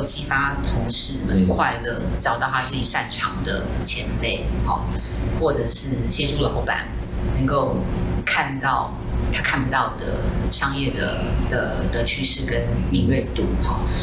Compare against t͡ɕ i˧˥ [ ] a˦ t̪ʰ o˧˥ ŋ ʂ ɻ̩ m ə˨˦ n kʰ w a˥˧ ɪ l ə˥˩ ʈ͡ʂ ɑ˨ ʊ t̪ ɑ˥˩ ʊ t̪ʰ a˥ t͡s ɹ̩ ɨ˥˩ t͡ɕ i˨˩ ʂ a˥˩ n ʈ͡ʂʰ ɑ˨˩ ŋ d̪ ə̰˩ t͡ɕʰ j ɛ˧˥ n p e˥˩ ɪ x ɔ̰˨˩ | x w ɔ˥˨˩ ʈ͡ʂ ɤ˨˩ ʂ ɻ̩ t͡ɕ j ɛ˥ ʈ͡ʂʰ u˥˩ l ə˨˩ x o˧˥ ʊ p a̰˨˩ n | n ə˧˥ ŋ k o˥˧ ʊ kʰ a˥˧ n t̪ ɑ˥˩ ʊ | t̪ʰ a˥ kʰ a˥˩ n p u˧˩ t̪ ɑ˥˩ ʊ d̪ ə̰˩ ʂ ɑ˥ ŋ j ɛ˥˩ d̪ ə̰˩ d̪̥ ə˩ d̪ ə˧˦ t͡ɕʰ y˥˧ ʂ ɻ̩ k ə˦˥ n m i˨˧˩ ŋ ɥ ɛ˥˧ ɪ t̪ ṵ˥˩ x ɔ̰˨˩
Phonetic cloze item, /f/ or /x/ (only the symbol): f